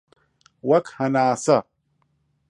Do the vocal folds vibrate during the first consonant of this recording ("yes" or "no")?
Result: yes